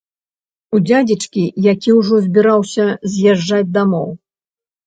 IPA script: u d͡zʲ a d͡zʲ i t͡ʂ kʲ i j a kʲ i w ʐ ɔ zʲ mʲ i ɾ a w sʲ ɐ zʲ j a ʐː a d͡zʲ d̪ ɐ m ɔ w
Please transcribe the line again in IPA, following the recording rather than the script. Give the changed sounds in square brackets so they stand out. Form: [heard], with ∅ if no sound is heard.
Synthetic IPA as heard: u d͡zʲ a d͡zʲ i t͡ʂ kʲ i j a kʲ i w ʐ ɔ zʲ [bʲ] i ɾ a w sʲ ɐ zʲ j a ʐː a d͡zʲ d̪ [a] m ɔ w